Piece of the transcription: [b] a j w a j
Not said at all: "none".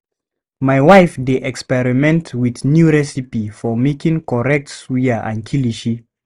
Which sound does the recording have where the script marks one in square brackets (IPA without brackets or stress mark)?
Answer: m